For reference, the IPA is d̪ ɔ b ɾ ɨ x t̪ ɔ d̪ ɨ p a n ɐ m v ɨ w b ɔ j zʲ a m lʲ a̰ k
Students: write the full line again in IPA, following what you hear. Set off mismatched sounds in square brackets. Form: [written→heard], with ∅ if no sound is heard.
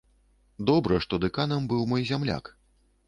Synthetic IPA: d̪ ɔ b ɾ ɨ [x→ʂ] t̪ ɔ d̪ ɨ [p→k] a n ɐ m [v→b] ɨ w [b→m] ɔ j zʲ a m lʲ a̰ k